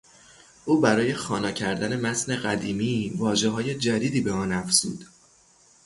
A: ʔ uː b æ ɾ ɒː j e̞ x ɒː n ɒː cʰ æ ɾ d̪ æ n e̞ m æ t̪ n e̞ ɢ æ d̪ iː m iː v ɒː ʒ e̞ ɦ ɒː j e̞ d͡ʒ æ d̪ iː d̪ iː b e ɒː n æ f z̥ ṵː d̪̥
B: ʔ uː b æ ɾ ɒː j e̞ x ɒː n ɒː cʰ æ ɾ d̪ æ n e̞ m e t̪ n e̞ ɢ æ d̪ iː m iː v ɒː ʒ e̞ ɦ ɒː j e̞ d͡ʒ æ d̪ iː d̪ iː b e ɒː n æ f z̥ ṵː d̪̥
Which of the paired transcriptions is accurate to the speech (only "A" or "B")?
A